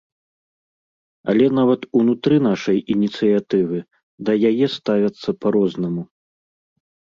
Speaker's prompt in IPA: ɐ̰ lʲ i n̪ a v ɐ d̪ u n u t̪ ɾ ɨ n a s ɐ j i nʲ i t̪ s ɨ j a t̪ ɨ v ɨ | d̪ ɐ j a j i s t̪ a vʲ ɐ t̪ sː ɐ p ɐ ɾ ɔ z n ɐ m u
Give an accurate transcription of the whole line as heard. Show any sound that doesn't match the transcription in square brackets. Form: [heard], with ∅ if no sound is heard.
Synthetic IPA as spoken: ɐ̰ lʲ [ɛ] n̪ a v ɐ [t̪] u n u t̪ ɾ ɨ n a [ʂ] ɐ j i nʲ i t̪ s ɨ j a t̪ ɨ v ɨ | d̪ ɐ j a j [ɛ] s t̪ a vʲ ɐ t̪ sː ɐ p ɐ ɾ ɔ z n ɐ m u